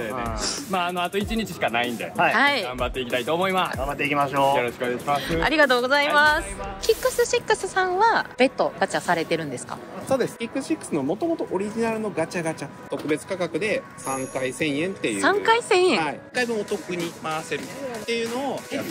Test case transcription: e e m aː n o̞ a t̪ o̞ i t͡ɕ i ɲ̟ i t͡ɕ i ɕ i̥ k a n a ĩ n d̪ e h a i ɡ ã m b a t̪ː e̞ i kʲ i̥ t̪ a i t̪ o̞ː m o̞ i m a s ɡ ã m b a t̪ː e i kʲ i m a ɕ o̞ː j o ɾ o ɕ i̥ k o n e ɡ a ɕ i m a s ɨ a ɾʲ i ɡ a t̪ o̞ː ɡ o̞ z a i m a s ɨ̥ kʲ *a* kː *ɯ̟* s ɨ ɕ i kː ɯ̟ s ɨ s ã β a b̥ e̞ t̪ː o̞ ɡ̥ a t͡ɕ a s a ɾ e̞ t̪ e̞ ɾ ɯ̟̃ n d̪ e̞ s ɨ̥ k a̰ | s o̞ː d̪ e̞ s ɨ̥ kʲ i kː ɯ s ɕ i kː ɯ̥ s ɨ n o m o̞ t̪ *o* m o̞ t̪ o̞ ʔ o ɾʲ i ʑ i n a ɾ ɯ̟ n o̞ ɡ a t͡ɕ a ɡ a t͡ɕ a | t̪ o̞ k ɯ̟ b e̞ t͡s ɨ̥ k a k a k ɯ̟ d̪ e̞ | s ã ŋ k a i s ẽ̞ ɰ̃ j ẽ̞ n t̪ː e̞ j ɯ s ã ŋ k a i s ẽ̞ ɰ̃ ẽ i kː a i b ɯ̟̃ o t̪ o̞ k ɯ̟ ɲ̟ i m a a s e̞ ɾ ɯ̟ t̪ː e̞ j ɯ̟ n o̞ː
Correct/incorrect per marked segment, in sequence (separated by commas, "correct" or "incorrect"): incorrect, correct, correct